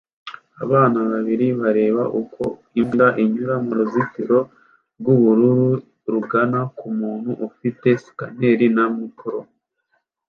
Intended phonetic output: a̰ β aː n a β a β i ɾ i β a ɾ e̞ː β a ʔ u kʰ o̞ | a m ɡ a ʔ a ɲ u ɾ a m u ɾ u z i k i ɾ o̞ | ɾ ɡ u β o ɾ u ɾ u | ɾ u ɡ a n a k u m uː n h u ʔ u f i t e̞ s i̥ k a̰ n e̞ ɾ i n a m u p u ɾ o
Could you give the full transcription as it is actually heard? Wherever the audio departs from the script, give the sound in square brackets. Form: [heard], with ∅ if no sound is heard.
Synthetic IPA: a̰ β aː n a β a β i ɾ i β a ɾ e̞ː β a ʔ u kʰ o̞ | [i] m ɡ a ʔ [i] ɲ u ɾ a m u ɾ u z i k i ɾ o̞ | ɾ ɡ u β [u] ɾ u ɾ u | ɾ u ɡ a n a k u m uː n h u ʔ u f i t e̞ s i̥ k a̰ n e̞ ɾ i n a m u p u ɾ o